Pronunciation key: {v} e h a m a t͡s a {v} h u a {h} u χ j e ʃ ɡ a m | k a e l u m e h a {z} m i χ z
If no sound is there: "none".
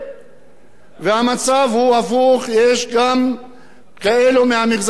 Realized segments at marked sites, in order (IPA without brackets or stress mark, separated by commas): v, v, f, none